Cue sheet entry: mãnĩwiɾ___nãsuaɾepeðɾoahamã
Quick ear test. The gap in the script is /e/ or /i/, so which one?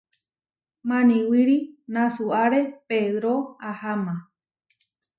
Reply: i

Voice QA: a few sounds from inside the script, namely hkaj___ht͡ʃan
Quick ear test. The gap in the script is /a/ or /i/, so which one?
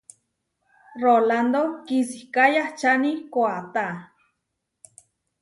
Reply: a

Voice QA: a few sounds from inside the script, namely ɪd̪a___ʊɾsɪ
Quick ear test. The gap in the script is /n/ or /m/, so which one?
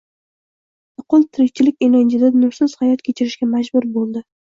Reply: n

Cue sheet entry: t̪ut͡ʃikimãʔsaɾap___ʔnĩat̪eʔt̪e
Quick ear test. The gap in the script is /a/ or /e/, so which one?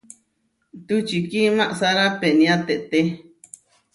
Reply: e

